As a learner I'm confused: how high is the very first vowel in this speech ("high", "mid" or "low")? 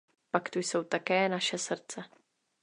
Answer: low